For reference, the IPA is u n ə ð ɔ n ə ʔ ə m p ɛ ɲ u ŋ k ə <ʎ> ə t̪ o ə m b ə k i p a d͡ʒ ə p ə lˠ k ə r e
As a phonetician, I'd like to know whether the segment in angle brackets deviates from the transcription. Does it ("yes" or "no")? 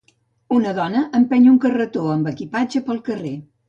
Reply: yes